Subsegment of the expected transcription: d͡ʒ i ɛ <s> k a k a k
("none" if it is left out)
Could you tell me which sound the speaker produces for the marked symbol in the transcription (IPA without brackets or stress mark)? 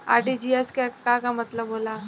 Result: s